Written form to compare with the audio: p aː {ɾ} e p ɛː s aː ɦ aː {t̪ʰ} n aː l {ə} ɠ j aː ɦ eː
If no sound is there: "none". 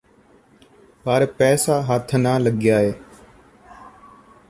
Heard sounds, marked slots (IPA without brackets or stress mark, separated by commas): ɾ, t̪ʰ, ə